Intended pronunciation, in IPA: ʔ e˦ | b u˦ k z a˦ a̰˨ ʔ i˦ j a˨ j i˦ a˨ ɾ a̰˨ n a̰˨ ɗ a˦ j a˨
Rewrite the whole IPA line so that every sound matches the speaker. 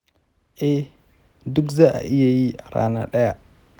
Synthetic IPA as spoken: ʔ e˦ | d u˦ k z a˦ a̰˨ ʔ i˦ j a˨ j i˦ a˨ ɾ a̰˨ n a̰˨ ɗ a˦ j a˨